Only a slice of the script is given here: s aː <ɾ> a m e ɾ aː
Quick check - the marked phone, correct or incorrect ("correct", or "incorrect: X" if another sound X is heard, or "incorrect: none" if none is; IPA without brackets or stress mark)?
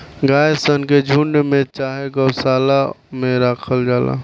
incorrect: l